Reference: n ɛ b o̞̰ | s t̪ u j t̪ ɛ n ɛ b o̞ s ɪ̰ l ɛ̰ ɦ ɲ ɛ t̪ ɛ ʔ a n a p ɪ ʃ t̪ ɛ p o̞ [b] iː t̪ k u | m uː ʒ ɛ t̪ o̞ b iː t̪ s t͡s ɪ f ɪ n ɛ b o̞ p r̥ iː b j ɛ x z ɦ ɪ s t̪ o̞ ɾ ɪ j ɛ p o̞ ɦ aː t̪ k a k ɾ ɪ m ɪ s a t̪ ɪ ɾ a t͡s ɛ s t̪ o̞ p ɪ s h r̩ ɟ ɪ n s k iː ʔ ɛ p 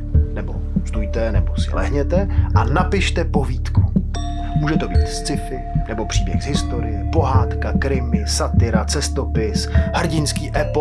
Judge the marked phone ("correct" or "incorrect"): incorrect